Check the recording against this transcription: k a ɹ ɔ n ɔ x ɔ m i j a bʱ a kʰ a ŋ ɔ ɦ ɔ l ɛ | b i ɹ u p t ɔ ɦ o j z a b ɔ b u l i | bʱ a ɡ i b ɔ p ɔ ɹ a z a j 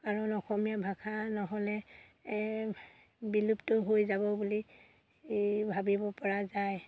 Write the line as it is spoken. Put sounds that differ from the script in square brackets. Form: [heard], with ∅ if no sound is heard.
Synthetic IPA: k a ɹ ɔ n ɔ x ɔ m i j a bʱ a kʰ a [n] ɔ ɦ ɔ l ɛ | b i [l] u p t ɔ ɦ o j z a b ɔ b u l i | bʱ a [b] i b ɔ p ɔ ɹ a z a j